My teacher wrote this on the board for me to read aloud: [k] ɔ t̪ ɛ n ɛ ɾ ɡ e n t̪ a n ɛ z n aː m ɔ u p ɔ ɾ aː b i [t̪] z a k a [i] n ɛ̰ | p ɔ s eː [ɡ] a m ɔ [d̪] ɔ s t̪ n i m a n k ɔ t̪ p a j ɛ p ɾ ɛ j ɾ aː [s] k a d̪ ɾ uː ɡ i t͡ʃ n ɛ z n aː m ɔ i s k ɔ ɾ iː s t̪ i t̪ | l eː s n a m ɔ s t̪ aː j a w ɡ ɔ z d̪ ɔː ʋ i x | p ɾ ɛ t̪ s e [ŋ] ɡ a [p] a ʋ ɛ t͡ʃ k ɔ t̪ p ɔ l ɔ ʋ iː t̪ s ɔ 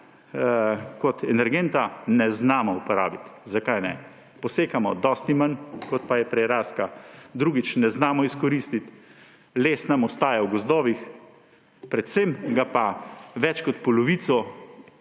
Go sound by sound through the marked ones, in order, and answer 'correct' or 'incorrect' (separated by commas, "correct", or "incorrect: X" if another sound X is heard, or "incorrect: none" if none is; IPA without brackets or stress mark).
correct, correct, incorrect: j, incorrect: k, correct, correct, incorrect: m, correct